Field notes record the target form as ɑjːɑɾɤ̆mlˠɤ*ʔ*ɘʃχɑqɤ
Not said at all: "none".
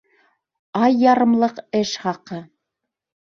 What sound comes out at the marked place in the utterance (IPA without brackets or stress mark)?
q